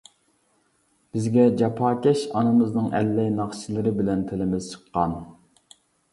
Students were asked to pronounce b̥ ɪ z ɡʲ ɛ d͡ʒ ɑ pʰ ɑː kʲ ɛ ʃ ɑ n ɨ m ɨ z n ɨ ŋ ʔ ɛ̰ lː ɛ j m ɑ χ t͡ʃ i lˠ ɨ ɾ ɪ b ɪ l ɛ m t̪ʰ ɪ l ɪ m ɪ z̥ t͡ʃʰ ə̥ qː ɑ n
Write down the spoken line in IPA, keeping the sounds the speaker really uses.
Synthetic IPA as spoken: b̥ ɪ z ɡʲ ɛ d͡ʒ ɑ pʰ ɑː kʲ ɛ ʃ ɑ n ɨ m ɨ z n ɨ ŋ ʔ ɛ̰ lː ɛ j n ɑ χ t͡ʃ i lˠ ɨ ɾ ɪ b ɪ l ɛ n t̪ʰ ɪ l ɪ m ɪ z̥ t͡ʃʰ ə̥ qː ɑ n